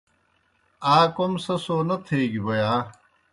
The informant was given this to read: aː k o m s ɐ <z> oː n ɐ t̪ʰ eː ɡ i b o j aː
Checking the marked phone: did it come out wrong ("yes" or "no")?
yes